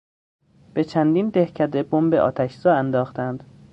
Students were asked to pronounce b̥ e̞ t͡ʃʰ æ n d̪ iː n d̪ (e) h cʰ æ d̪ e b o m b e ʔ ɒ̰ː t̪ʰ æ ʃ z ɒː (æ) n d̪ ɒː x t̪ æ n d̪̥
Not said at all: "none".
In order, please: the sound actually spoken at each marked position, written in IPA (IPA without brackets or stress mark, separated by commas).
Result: e, æ